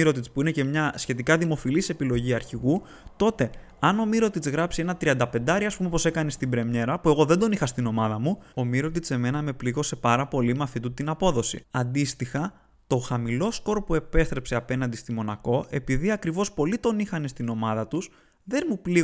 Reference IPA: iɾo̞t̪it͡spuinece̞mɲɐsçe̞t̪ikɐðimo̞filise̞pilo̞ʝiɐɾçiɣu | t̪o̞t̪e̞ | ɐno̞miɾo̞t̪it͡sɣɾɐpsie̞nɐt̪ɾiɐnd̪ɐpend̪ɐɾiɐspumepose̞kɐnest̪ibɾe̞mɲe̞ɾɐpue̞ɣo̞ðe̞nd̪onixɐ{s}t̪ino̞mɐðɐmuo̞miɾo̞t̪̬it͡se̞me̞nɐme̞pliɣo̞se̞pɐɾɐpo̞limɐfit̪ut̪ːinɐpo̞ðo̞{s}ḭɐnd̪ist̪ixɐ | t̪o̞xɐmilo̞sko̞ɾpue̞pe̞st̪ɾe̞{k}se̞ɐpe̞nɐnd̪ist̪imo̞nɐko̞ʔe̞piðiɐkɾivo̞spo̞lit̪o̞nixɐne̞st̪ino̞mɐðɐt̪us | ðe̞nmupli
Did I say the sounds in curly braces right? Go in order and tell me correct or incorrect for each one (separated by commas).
correct, correct, incorrect